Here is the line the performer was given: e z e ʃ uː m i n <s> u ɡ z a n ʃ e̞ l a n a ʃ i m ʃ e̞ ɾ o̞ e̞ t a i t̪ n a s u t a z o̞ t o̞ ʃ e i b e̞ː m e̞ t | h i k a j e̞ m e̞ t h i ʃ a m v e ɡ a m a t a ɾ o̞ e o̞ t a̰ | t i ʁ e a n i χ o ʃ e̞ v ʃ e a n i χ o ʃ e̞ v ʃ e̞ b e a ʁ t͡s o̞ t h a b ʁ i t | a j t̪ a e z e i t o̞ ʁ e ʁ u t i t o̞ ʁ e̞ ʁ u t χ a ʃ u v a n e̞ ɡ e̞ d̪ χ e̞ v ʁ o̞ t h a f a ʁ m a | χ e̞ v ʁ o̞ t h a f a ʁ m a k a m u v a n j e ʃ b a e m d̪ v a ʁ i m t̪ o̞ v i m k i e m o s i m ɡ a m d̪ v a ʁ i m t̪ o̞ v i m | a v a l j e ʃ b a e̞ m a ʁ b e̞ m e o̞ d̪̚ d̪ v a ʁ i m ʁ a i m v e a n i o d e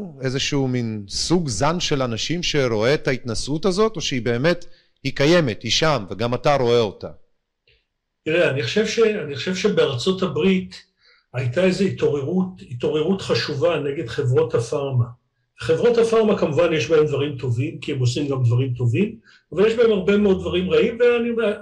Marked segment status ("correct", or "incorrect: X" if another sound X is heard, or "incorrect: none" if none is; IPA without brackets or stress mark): correct